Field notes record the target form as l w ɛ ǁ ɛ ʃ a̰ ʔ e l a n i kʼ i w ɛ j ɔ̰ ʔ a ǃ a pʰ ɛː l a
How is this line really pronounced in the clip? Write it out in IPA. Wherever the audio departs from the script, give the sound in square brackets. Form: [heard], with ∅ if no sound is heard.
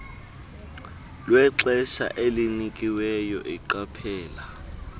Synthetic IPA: l w ɛ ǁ ɛ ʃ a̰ ʔ e l [i] n i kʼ i w ɛ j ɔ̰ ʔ [i] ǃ a pʰ ɛː l a